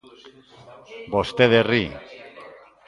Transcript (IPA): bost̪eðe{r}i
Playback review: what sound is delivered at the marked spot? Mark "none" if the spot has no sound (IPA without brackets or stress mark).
r